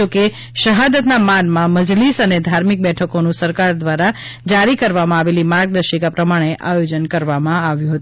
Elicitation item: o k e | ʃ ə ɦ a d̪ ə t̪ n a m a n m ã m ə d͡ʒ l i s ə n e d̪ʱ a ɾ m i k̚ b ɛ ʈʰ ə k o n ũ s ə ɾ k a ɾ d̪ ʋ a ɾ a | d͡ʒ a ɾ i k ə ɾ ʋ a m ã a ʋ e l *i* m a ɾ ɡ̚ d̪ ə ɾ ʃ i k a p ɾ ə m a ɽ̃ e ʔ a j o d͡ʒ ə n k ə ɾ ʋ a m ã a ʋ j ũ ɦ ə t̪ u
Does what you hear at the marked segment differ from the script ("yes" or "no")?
no